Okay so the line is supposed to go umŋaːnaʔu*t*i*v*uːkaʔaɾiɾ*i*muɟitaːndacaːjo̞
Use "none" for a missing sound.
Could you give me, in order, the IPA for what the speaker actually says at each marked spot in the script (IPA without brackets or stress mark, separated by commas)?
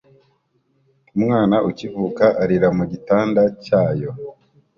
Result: c, v, a